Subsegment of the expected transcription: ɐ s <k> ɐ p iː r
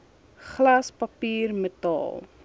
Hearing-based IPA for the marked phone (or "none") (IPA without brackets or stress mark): p